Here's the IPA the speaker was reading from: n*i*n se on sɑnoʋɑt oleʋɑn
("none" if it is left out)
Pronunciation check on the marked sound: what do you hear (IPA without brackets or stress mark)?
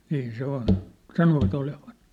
iː